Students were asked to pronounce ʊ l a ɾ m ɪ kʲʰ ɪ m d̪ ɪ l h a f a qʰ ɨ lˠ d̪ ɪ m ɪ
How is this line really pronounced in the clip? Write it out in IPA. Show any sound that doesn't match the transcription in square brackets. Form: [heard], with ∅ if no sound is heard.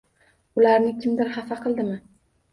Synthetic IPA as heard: ʊ l a ɾ [n] ɪ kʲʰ ɪ m d̪ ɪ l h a f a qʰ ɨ lˠ d̪ ɪ m ɪ